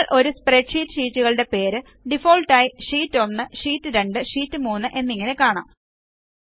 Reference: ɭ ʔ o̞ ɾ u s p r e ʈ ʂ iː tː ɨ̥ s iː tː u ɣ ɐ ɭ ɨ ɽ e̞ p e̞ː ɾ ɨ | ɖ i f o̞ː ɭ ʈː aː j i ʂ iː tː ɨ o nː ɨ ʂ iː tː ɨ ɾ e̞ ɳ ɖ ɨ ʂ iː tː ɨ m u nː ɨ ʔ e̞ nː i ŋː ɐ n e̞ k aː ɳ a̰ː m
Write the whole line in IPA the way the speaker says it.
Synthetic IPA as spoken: ɭ ʔ o̞ ɾ u s p r e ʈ ʂ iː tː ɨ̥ ʂ iː tː u ɣ ɐ ɭ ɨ ɽ e̞ p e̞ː ɾ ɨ | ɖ i f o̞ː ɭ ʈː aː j i ʂ iː tː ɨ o nː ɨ ʂ iː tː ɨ ɾ e̞ ɳ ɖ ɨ ʂ iː tː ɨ m uː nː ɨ ʔ e̞ nː i ŋː ɐ n e̞ k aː ɳ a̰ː m